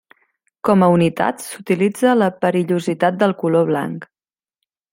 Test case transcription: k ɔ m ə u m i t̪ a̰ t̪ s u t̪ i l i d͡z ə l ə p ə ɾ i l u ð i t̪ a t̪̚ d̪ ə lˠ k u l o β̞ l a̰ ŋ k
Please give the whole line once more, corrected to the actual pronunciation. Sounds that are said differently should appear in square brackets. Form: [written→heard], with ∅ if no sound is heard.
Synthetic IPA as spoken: k ɔ m ə u [m→n] i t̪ a̰ t̪ s u t̪ i l i d͡z ə l ə p ə ɾ i [l→ʎ] u [ð→z] i t̪ a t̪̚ d̪ ə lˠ k u l o β̞ l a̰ ŋ k

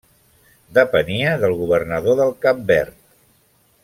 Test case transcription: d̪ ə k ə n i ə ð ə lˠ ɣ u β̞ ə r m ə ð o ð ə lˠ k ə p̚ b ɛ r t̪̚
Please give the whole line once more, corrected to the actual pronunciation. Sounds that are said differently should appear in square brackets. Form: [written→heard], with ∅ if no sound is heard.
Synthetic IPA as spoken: d̪ ə [k→p] ə n i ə ð ə lˠ ɣ u β̞ ə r [m→n] ə ð o ð ə lˠ k [ə→a] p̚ b ɛ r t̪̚

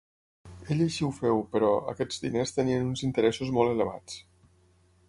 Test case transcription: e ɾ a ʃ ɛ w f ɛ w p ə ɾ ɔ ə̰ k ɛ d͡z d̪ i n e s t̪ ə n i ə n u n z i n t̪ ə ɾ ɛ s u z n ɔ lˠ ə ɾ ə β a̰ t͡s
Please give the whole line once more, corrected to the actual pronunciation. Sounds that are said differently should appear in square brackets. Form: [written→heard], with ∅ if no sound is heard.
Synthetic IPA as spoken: e [ɾ→ʎ] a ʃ [ɛ→i] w f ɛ w p ə ɾ ɔ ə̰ k ɛ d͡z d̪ i n e s t̪ ə n i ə n u n z i n t̪ ə ɾ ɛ s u z [n→m] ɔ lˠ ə [ɾ→l] ə β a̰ t͡s

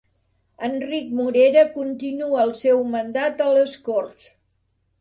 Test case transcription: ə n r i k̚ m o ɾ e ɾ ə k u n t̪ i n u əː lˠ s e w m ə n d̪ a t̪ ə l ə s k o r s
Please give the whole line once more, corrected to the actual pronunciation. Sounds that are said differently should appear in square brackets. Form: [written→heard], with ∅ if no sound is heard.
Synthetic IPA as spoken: ə n r i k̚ m [o→u] ɾ e ɾ ə k u n t̪ i n u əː lˠ s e w m ə n d̪ a t̪ ə l ə s k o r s

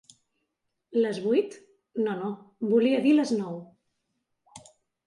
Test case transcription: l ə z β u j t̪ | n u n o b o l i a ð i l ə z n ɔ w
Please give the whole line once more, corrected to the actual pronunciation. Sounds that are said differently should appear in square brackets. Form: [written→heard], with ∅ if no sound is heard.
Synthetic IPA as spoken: l ə z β u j t̪ | n [u→o] n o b [o→u] l i [a→ə] ð i l ə z n ɔ w

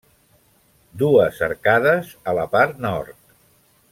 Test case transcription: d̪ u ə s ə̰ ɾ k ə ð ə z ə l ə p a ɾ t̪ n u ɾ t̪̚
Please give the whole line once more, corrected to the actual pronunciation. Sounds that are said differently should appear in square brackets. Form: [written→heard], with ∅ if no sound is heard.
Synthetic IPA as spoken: d̪ u ə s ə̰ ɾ k [ə→a] ð ə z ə l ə p a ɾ t̪ n [u→ɔ] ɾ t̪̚

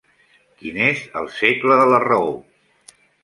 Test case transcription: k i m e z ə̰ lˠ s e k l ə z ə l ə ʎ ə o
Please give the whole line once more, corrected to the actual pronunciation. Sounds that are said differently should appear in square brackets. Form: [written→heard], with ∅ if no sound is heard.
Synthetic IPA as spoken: k i [m→n] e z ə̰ lˠ s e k l ə [z→ð] ə l ə [ʎ→r] ə o

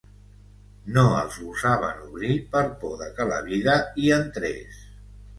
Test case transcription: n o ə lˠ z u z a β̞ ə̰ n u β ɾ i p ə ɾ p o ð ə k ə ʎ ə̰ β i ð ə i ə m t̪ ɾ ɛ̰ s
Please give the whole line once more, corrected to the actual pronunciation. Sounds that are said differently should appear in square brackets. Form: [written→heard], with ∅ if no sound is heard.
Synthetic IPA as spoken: n o ə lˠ z u z a β̞ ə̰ n u β ɾ i p ə ɾ p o ð ə k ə [ʎ→l] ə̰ β i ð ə i ə [m→n] t̪ ɾ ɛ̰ s

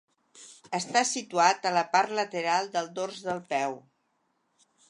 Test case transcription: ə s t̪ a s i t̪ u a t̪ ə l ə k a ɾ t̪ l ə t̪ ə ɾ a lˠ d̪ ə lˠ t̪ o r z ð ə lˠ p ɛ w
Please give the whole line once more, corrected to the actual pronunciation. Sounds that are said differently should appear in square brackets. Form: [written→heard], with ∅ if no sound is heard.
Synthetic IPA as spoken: ə s t̪ a s i t̪ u a t̪ ə l ə [k→p] a ɾ t̪ l ə t̪ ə ɾ a lˠ d̪ ə lˠ [t̪→d̪] o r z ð ə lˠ p ɛ w

